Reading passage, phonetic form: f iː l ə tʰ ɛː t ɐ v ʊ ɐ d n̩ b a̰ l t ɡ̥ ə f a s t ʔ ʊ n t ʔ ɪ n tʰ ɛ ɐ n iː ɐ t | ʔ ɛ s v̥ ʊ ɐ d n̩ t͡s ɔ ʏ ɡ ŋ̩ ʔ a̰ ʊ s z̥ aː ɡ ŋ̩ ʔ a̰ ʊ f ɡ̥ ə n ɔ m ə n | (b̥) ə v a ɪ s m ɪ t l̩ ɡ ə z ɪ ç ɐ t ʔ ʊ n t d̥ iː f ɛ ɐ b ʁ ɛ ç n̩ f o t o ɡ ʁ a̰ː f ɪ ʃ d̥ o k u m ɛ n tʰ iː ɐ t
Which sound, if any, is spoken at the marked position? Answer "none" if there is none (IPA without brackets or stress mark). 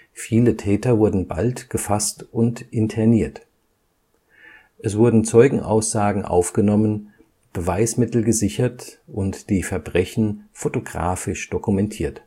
b̥